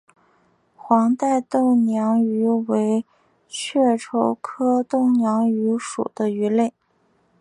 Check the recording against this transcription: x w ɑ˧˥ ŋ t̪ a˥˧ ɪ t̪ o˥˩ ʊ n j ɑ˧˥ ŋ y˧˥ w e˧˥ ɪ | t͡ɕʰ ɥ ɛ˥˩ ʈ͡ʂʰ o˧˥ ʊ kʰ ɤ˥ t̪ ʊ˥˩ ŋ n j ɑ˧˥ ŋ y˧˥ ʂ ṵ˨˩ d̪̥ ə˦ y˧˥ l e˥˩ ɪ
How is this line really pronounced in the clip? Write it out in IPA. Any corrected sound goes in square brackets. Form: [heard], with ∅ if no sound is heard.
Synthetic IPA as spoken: x w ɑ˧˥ ŋ t̪ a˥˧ ɪ t̪ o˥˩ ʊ n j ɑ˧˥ ŋ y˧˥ w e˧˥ ɪ | t͡ɕʰ ɥ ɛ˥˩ ʈ͡ʂʰ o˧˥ ʊ kʰ ɤ˥ t̪ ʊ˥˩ ŋ n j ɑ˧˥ ŋ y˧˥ ʂ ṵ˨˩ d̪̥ ə˦ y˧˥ l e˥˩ ɪ